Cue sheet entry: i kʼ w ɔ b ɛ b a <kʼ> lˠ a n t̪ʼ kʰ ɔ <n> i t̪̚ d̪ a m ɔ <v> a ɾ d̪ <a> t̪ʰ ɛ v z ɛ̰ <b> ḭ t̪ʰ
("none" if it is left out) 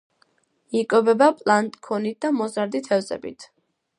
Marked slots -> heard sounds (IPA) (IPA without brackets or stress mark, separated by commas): pʼ, n, z, i, b